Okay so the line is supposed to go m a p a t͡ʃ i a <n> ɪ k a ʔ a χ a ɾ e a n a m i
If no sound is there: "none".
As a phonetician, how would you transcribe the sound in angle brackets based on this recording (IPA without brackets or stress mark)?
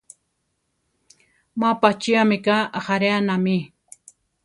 m